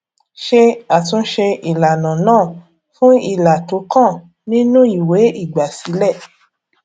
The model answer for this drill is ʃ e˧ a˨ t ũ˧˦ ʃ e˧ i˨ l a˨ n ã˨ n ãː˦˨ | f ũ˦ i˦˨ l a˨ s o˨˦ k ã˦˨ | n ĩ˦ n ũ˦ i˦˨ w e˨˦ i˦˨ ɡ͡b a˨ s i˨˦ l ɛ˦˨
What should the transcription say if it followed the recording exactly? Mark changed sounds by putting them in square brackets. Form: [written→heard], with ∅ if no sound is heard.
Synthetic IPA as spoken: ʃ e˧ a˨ t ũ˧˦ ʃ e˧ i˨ l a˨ n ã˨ n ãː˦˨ | f ũ˦ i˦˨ l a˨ [s→t] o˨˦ k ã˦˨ | n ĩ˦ n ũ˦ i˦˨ w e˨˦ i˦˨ ɡ͡b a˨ s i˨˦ l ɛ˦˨